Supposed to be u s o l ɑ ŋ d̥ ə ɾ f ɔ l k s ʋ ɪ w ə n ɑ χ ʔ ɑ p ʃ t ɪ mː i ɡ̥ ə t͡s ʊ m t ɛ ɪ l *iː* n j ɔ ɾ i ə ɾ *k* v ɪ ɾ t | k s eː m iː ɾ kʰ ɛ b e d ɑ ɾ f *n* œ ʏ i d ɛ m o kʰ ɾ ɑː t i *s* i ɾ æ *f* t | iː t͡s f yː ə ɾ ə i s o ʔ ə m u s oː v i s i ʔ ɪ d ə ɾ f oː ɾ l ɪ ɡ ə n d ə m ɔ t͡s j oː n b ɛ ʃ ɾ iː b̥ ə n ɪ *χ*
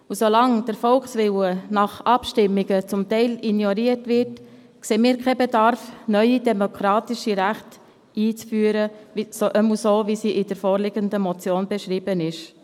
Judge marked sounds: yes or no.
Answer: no, no, yes, no, no, no

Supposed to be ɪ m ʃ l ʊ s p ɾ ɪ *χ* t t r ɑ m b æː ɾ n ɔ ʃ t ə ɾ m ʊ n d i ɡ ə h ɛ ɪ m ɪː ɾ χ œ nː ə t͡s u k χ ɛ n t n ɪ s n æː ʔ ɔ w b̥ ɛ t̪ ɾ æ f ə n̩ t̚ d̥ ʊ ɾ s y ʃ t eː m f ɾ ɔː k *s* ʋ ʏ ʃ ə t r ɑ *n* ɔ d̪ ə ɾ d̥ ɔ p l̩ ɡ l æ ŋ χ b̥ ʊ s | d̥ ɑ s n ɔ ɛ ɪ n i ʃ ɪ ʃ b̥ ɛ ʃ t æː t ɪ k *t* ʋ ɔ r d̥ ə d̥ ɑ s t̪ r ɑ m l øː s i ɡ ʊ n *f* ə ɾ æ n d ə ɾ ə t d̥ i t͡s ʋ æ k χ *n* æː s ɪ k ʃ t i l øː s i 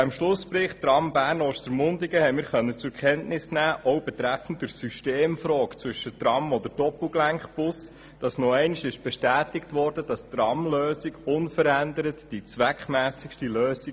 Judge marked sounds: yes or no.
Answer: yes, no, no, yes, yes, no

